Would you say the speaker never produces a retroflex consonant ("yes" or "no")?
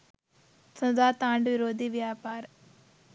no